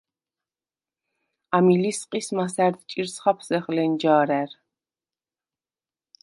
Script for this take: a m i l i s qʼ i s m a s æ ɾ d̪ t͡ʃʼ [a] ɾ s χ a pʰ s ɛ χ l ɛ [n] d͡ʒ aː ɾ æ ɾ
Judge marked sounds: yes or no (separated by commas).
no, yes